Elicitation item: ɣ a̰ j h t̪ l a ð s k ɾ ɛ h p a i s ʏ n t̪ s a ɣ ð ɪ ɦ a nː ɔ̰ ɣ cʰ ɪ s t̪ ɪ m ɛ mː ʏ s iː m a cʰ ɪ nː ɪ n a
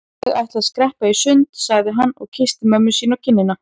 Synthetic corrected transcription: ɣ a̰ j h t̪ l a ð s k ɾ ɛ h p a i s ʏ n t̪ s a ɣ ð ɪ ɦ a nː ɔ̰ ɣ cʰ ɪ s t̪ ɪ m œ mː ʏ s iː n a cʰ ɪ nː ɪ n a